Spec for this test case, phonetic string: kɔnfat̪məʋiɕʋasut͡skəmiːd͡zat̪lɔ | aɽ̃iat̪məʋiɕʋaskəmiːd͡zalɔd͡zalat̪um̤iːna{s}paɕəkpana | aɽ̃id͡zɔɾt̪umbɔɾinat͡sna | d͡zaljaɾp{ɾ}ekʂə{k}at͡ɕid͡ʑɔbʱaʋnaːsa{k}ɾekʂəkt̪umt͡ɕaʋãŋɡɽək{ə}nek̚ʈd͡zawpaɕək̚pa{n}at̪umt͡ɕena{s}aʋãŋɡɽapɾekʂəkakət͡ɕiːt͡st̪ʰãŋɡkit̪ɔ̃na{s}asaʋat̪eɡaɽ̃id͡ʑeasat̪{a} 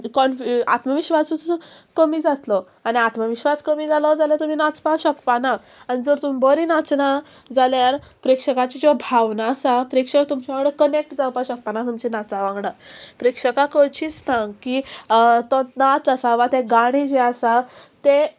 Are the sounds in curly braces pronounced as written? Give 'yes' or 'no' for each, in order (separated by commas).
no, yes, yes, no, yes, yes, no, no, no